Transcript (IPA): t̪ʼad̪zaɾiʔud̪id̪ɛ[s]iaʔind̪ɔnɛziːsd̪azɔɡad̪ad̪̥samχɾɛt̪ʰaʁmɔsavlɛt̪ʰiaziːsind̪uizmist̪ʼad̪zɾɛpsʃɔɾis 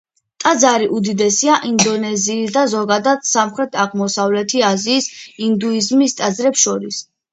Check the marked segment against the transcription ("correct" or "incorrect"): correct